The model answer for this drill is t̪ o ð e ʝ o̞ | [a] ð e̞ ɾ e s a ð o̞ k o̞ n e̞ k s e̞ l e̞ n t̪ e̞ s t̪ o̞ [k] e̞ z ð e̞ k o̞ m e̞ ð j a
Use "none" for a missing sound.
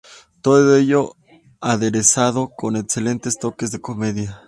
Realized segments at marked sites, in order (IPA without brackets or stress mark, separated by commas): a, k